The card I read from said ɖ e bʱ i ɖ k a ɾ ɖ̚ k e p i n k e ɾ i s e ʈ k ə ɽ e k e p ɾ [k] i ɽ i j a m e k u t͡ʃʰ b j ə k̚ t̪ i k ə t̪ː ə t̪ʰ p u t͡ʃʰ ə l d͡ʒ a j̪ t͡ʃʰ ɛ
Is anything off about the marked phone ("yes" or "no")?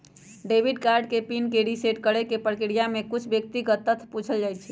no